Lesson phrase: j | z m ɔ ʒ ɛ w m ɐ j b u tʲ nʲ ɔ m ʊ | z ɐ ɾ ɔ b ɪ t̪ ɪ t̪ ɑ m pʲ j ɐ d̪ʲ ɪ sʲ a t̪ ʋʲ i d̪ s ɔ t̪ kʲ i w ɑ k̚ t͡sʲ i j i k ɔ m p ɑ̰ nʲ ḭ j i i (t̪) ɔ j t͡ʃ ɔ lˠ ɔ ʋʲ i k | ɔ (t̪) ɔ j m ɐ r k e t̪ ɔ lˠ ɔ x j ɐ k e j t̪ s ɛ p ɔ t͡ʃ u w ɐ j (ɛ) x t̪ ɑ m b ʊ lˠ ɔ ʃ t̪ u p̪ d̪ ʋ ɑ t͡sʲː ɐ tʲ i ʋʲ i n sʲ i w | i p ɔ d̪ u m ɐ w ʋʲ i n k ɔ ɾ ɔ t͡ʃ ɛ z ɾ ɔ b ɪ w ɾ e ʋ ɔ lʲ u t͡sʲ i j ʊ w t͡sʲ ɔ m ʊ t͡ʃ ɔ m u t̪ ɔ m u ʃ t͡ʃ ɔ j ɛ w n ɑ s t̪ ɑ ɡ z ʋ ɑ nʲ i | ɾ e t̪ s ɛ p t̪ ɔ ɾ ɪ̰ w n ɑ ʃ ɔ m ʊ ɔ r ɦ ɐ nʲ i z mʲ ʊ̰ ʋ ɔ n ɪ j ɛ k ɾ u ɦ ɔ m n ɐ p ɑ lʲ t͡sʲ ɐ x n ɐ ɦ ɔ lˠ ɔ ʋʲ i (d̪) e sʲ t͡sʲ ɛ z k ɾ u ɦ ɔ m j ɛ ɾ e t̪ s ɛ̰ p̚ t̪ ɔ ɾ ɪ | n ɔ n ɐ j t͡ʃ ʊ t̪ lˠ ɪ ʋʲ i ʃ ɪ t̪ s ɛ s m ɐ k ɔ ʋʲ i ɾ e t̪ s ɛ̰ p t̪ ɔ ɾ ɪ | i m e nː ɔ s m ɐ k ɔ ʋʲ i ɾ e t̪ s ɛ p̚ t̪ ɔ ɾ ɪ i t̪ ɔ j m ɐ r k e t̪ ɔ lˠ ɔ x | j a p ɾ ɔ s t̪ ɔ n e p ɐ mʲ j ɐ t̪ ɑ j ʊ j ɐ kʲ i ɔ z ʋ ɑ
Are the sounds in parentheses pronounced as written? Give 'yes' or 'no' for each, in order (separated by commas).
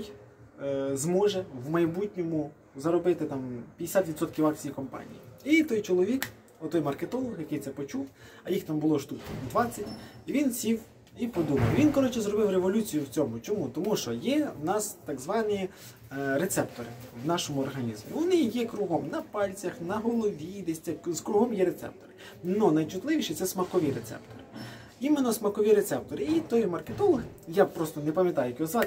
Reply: yes, yes, no, yes